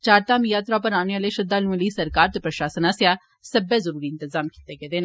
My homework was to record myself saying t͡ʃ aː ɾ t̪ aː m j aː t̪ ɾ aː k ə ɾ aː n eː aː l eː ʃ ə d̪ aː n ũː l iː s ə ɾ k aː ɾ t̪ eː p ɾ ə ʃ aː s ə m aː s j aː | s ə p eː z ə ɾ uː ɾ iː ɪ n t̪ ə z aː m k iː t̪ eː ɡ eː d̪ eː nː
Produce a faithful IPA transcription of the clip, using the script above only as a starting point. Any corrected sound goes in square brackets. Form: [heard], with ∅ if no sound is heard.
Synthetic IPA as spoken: t͡ʃ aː ɾ t̪ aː m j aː t̪ ɾ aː [p] ə ɾ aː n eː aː l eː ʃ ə d̪ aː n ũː l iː s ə ɾ k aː ɾ t̪ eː p ɾ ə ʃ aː s ə [n] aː s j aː | s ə [b] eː z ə ɾ uː ɾ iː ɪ n t̪ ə z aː m k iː t̪ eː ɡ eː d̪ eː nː

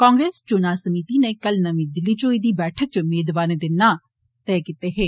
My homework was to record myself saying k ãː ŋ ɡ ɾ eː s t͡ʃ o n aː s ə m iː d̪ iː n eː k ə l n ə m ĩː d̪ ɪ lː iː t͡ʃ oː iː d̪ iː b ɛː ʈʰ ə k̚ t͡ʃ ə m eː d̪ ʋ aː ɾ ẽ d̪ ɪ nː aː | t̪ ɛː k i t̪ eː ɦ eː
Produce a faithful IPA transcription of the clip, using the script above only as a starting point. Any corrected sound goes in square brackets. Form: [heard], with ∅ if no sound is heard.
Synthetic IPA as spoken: k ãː ŋ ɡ ɾ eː s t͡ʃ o n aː s ə m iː [t̪] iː n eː k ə l n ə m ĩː d̪ ɪ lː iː t͡ʃ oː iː d̪ iː b ɛː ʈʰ ə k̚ t͡ʃ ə m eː d̪ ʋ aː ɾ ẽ d̪ ɪ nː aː | t̪ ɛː k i t̪ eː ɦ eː

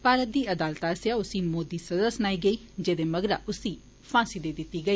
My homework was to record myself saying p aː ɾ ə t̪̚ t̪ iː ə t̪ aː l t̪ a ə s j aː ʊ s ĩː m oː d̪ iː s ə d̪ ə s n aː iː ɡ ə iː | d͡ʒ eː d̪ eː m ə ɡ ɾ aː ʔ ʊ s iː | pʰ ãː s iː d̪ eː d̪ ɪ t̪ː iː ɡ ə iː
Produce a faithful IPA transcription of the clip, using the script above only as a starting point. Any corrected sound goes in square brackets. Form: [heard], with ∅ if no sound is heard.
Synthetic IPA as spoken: p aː ɾ ə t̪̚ [d̪] iː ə [d̪] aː l t̪ a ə s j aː ʊ s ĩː m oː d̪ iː s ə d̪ ə s n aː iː ɡ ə iː | d͡ʒ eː d̪ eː m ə ɡ ɾ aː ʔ ʊ s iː | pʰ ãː s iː d̪ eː d̪ ɪ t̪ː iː ɡ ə iː

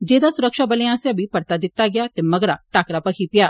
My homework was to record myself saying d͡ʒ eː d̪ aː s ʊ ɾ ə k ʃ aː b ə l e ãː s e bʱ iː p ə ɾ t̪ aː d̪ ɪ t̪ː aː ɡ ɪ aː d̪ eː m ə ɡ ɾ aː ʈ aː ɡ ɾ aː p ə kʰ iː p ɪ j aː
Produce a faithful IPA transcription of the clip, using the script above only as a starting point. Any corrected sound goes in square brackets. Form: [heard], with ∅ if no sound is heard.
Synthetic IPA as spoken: d͡ʒ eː d̪ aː s ʊ ɾ ə k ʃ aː b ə l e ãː s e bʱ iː p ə ɾ t̪ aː d̪ ɪ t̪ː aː ɡ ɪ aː [t̪] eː m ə ɡ ɾ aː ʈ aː [k] ɾ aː p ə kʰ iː p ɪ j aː

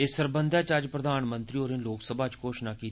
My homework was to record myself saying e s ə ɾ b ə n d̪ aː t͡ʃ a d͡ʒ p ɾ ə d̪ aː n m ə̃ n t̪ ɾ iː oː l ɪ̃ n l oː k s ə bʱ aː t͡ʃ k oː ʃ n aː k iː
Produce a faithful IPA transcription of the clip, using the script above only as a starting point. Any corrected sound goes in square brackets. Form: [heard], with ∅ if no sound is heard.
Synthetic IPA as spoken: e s ə ɾ b ə n d̪ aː t͡ʃ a d͡ʒ p ɾ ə d̪ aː n m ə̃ n t̪ ɾ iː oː [ɾ] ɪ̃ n l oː k s ə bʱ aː t͡ʃ k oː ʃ n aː k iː

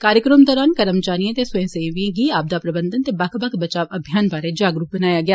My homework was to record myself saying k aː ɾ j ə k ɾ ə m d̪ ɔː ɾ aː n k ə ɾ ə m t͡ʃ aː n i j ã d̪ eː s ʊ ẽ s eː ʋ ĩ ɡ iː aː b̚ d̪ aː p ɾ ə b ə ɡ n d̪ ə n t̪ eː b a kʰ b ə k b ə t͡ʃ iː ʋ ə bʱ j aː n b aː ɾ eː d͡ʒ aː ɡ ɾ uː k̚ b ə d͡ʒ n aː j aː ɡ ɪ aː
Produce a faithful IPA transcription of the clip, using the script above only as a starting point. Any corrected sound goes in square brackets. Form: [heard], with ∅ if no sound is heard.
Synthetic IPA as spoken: k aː ɾ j ə k ɾ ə m d̪ ɔː ɾ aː n k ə ɾ ə m t͡ʃ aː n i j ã [t̪] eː s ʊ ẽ s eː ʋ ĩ ɡ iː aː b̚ d̪ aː p ɾ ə b ə [∅] n d̪ ə n t̪ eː b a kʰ b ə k b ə t͡ʃ [aː] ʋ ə bʱ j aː n b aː ɾ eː d͡ʒ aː ɡ ɾ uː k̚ b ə [∅] n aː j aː ɡ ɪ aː

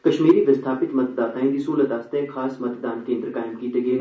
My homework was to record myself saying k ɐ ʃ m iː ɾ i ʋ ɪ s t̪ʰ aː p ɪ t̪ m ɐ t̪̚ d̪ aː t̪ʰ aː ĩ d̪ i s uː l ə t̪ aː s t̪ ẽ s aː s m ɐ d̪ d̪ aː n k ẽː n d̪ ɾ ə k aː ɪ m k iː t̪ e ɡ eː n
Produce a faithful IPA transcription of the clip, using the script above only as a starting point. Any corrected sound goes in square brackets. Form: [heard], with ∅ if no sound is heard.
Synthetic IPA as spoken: k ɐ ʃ m iː ɾ i ʋ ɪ s t̪ʰ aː p ɪ t̪ m ɐ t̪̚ d̪ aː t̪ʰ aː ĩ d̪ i s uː l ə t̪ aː s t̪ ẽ [x] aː s m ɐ [t̪] d̪ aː n k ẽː n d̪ ɾ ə k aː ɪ m k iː t̪ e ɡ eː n

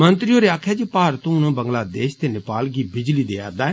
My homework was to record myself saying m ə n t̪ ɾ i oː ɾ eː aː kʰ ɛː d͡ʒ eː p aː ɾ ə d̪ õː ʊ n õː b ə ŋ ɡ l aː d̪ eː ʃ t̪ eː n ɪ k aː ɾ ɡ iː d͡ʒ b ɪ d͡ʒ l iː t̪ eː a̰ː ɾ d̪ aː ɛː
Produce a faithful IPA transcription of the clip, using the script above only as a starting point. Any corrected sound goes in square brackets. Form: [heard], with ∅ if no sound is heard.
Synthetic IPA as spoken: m ə n t̪ ɾ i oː ɾ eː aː kʰ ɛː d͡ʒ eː p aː ɾ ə [t̪] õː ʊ n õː b ə ŋ ɡ l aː d̪ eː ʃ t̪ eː n ɪ [p] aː [l] ɡ iː [∅] b ɪ d͡ʒ l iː [d̪] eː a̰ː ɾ d̪ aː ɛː

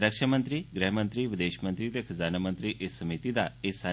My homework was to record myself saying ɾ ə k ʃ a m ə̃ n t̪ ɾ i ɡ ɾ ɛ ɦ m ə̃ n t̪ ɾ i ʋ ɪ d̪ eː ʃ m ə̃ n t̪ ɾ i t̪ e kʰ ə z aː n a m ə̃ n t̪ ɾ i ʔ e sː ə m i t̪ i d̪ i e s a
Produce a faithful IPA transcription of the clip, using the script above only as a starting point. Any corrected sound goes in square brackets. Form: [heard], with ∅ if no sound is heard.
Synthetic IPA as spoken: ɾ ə k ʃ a m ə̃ n t̪ ɾ i ɡ ɾ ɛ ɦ m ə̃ n t̪ ɾ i ʋ ɪ d̪ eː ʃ m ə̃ n t̪ ɾ i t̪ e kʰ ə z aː n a m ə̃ n t̪ ɾ i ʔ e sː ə m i t̪ i d̪ [a] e s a

